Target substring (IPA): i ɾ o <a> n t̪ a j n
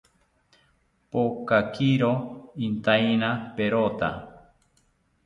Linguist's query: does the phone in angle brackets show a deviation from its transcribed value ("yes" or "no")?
yes